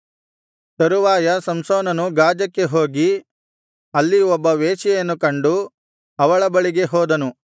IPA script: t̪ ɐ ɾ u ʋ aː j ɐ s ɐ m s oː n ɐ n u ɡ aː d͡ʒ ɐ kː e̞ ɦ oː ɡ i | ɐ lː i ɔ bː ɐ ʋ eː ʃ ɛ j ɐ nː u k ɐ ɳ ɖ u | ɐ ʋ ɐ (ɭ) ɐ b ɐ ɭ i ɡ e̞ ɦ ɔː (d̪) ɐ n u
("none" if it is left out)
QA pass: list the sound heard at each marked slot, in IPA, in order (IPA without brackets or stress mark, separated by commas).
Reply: ɭ, d̪